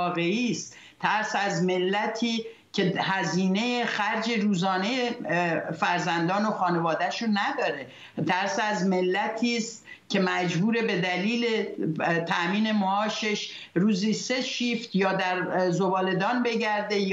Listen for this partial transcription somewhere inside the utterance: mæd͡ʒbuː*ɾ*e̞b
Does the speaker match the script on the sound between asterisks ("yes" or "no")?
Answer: yes